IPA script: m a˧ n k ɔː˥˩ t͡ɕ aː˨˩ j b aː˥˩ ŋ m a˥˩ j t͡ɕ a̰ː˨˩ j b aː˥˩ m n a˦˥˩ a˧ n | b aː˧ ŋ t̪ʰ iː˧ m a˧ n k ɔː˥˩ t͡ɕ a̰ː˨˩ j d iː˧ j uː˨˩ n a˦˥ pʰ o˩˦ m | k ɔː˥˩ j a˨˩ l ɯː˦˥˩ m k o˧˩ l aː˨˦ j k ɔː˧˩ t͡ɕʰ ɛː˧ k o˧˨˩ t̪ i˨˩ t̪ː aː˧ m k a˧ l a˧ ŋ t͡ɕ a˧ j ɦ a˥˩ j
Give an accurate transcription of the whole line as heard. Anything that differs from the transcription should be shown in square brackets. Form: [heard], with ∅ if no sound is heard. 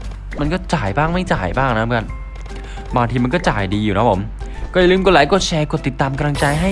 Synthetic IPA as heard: m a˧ n k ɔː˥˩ t͡ɕ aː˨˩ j b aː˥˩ ŋ m a˥˩ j t͡ɕ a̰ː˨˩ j b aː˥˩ [ŋ] n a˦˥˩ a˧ n | b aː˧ ŋ t̪ʰ iː˧ m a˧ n k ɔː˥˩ t͡ɕ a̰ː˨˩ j d iː˧ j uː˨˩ n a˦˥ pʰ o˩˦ m | k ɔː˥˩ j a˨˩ l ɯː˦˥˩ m k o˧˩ l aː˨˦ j k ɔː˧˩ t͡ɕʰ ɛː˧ k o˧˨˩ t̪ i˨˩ t̪ː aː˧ m k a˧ l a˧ ŋ t͡ɕ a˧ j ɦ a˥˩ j